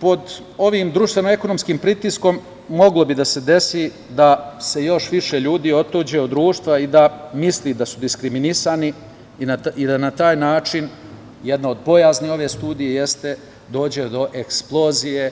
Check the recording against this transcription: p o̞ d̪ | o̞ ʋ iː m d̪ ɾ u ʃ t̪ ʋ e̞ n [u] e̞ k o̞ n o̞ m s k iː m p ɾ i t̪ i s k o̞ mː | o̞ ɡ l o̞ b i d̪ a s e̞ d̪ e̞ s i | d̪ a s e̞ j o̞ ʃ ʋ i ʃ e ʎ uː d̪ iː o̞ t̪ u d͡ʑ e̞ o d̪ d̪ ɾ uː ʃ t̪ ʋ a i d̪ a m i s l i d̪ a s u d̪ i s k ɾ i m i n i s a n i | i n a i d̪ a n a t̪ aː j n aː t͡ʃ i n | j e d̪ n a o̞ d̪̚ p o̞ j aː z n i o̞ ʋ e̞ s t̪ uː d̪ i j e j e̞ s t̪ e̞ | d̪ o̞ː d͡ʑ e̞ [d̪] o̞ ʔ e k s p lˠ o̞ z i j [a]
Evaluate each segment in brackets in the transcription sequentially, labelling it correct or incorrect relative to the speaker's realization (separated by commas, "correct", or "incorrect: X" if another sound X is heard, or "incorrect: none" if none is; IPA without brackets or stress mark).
incorrect: o, correct, incorrect: e